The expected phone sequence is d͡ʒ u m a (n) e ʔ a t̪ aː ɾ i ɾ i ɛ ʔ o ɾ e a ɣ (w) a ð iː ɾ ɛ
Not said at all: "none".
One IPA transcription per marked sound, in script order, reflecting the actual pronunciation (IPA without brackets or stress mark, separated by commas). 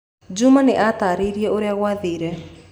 n, w